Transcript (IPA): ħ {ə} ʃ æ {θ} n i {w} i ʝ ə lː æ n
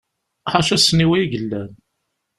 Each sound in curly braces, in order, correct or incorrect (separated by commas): incorrect, incorrect, correct